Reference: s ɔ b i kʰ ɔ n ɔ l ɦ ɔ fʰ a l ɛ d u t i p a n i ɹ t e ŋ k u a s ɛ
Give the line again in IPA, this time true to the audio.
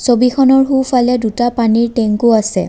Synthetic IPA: s o b i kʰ ɔ n ɔ ɹ ɦ u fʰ a l ɛ d u t a p a n i ɹ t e ŋ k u a s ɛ